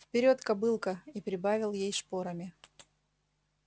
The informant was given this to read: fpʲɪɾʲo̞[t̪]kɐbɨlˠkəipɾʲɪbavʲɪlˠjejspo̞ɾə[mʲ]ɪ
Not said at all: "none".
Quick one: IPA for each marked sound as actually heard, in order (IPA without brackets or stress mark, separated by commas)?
t̪, mʲ